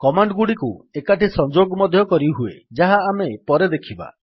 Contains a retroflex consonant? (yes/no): yes